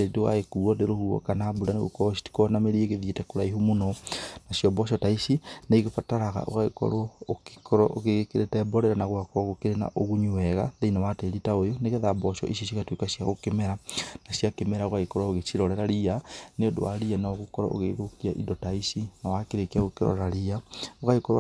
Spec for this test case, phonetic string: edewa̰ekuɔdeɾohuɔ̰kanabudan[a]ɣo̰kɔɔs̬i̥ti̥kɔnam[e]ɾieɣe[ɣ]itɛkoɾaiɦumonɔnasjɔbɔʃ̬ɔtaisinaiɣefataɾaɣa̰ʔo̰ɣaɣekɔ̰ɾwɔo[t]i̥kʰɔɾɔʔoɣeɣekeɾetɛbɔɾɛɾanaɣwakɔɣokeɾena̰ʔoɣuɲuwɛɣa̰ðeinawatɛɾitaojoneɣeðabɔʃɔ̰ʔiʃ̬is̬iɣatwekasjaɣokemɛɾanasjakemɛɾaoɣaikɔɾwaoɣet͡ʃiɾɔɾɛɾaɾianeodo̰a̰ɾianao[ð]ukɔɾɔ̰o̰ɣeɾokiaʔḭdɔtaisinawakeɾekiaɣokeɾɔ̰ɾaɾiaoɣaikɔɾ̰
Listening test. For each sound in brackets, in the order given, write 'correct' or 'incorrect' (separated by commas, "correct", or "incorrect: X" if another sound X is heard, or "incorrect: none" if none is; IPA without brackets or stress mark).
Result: incorrect: e, correct, incorrect: ð, incorrect: k, incorrect: ɣ